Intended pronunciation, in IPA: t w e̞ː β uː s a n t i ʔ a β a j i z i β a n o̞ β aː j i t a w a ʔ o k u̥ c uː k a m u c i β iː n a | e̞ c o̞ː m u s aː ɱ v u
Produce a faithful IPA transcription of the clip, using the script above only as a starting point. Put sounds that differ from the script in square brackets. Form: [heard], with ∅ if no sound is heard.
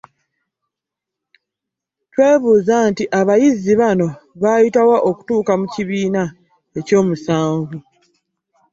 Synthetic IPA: t w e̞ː β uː [z] a n t i ʔ a β a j i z i β a n o̞ β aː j i t a w a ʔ o k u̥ [t] uː k a m u c i β iː n a | e̞ c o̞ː m u s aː ɱ v u